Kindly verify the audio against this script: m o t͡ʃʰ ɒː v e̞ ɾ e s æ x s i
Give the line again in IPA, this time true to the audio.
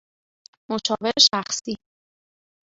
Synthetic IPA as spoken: m o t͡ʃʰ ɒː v e̞ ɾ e ʃ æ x s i